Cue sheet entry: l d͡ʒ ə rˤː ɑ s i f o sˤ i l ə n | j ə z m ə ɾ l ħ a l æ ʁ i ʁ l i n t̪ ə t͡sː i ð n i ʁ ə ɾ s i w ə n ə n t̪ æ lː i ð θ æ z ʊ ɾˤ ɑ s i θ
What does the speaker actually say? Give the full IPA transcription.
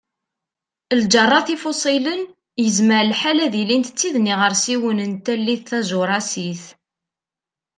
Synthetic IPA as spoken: l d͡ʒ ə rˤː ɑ θ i f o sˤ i l ə n | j ə z m ə ɾ l ħ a l æ ð i l i n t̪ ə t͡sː i ð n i ʁ ə ɾ s i w ə n ə n t̪ æ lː i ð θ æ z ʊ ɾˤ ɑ s i θ